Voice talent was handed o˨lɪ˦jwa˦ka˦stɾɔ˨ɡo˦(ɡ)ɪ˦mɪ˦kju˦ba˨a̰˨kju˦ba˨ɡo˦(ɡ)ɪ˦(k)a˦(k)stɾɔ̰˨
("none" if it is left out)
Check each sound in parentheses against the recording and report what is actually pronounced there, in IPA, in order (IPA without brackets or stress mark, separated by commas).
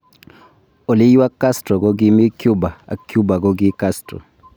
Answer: ɡ, ɡ, k, none